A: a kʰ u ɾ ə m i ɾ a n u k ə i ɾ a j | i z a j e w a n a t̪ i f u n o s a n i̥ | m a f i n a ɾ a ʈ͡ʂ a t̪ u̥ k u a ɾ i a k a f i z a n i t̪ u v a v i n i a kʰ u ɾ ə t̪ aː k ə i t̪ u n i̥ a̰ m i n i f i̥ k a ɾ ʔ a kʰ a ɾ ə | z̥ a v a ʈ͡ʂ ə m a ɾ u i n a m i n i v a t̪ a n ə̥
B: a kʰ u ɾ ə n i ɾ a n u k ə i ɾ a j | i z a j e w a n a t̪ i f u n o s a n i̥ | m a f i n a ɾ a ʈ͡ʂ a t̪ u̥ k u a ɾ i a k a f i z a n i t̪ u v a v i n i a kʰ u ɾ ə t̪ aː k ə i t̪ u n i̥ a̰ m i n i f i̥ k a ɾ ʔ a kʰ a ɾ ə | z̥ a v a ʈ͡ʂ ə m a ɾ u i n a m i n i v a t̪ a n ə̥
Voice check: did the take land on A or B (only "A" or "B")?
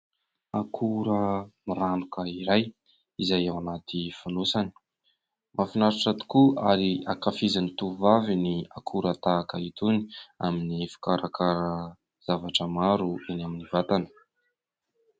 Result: A